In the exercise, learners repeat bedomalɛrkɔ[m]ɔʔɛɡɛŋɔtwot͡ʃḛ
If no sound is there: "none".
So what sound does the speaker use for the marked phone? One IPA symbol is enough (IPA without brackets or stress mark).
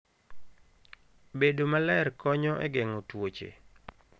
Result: ɲ